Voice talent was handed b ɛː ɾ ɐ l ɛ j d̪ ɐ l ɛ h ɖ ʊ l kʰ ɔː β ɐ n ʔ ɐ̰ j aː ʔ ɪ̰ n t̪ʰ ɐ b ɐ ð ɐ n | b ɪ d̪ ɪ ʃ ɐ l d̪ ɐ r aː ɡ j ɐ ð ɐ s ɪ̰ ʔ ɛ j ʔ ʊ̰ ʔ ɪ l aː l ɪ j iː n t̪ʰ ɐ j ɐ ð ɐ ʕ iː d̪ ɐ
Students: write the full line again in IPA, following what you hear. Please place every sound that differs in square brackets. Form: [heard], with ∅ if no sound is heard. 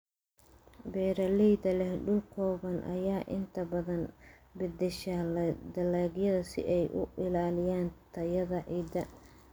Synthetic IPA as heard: b ɛː ɾ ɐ l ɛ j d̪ ɐ l ɛ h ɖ ʊ l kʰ ɔː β ɐ n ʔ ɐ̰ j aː ʔ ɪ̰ n t̪ʰ ɐ b ɐ ð ɐ n | b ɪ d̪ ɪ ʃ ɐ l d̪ ɐ [l] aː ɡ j ɐ ð ɐ s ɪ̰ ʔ ɛ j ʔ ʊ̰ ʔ ɪ l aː l ɪ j [aː] n t̪ʰ ɐ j ɐ ð ɐ ʕ iː d̪ ɐ